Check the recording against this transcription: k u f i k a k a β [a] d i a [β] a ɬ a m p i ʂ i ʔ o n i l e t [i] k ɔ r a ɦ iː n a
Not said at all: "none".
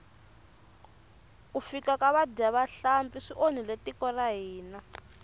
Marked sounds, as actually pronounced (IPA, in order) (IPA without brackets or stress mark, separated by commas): a, β, i